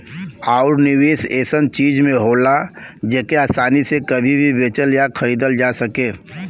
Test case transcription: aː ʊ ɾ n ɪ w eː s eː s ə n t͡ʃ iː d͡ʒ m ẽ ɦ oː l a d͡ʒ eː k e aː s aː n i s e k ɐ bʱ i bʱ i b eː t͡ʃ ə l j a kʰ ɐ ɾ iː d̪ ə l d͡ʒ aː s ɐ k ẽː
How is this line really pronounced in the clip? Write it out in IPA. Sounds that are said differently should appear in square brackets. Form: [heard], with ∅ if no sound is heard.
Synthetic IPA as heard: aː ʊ ɾ n ɪ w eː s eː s ə n t͡ʃ iː d͡ʒ m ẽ ɦ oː l a d͡ʒ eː k e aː s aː n i s e k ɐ bʱ i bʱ i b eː t͡ʃ ə l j a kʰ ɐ ɾ iː d̪ ə l d͡ʒ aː s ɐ k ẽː